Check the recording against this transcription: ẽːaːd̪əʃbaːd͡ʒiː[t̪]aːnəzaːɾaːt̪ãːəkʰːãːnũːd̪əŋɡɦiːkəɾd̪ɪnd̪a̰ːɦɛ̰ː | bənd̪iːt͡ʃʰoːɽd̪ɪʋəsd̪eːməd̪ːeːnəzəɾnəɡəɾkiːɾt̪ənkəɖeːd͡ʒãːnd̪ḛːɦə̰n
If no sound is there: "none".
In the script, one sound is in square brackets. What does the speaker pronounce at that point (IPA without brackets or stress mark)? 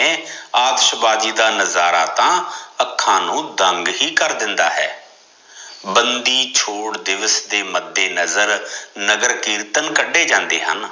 d̪